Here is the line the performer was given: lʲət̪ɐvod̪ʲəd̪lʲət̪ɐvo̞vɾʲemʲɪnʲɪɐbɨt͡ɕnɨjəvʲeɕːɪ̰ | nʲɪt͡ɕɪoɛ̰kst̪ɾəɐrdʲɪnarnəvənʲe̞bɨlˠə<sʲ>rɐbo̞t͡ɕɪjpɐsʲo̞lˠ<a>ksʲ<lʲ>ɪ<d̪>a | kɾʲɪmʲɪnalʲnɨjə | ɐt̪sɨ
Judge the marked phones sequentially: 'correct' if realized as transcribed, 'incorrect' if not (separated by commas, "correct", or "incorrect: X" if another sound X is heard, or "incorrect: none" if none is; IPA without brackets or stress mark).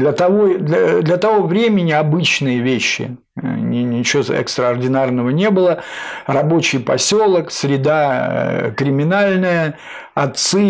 incorrect: none, incorrect: ə, incorrect: ɾʲ, correct